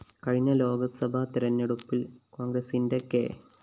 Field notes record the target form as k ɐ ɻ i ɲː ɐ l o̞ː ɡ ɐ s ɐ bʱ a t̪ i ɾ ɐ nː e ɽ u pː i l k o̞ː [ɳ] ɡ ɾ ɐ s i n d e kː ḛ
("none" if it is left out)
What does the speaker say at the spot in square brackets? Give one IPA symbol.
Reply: ŋ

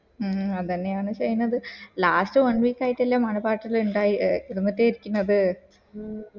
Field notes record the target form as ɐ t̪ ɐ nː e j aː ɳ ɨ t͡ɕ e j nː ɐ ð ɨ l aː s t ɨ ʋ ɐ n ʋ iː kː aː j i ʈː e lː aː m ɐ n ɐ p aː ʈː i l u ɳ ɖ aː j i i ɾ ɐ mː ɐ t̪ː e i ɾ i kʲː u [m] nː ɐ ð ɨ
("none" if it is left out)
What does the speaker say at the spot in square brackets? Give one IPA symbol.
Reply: none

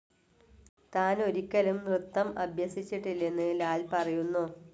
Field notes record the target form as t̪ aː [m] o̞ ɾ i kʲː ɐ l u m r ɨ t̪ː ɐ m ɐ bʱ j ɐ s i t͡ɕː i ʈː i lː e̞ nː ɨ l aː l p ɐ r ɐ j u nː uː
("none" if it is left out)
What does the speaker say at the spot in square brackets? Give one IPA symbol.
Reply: n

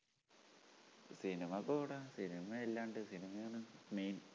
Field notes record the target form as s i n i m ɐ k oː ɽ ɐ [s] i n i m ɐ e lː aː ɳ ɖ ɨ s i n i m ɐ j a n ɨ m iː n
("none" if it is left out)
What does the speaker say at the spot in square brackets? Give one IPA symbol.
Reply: s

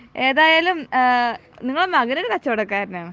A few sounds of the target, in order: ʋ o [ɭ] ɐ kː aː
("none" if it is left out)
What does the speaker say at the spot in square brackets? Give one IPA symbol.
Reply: ɽ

